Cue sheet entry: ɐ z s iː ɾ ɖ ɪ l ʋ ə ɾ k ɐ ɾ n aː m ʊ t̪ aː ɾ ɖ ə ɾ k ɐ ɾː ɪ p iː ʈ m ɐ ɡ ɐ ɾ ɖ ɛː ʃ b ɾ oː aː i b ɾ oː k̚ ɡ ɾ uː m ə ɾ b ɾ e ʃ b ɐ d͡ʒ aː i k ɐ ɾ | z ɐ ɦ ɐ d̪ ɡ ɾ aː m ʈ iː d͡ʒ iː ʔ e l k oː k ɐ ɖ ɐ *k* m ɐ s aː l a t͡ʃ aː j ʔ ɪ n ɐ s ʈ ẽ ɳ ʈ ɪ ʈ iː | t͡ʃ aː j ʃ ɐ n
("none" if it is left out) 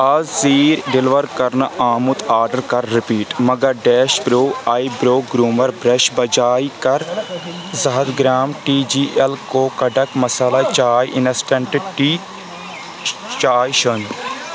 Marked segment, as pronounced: k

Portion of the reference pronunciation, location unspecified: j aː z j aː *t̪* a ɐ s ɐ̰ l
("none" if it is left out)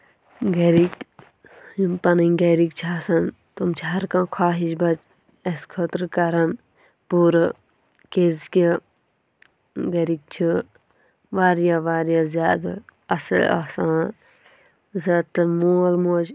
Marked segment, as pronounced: d̪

